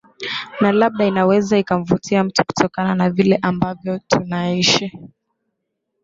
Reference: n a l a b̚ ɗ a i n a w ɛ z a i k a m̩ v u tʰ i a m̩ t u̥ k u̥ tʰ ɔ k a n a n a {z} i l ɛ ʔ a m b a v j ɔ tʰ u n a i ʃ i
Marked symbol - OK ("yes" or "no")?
no